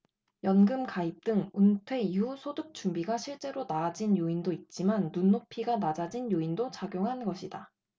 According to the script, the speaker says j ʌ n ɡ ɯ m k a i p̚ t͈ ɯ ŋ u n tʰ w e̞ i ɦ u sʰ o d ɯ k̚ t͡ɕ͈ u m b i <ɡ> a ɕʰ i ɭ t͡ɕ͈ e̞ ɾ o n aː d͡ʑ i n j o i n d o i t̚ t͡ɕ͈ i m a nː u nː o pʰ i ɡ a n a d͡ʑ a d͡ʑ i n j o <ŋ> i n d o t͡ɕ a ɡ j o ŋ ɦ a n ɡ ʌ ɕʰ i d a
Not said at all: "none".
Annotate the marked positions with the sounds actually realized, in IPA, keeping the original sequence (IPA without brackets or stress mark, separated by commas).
ɡ, none